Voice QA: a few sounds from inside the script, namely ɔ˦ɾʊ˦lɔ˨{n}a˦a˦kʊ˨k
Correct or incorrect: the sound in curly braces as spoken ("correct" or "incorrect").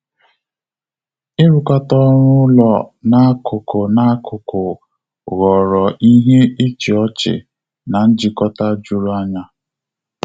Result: correct